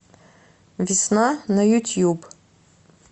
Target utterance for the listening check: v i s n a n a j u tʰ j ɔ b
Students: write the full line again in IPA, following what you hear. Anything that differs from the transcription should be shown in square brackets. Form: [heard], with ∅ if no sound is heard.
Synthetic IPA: v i s n a n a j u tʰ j [u] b